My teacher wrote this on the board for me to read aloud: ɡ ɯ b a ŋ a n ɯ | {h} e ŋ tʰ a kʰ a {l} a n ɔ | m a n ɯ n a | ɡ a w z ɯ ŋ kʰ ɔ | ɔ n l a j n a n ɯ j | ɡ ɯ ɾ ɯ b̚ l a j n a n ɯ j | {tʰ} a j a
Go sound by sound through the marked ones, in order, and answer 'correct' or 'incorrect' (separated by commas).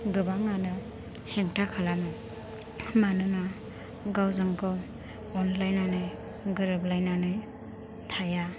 correct, correct, correct